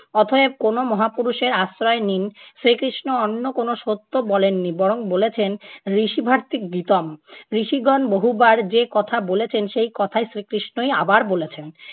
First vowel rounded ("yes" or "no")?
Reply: yes